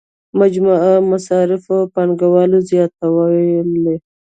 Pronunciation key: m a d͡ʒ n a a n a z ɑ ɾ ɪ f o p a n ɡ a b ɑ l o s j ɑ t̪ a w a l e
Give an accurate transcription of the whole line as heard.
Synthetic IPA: m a d͡ʒ m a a m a s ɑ ɾ ɪ f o p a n ɡ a w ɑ l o z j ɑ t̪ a w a l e